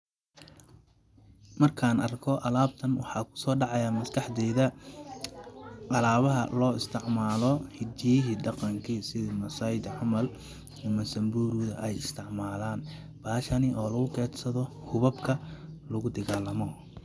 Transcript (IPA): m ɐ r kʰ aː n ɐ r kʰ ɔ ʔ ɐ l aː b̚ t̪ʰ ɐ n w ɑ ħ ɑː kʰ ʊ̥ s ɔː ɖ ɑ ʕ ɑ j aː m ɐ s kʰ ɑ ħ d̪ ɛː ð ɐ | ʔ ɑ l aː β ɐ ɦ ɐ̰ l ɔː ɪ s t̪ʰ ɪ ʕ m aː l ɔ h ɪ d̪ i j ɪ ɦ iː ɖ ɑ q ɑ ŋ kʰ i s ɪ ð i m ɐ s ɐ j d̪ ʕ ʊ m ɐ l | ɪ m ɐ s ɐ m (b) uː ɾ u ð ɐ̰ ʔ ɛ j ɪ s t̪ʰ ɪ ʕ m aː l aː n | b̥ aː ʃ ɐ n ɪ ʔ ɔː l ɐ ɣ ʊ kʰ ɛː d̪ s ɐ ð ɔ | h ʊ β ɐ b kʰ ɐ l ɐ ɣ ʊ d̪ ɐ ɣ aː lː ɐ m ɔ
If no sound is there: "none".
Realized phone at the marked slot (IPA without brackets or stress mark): b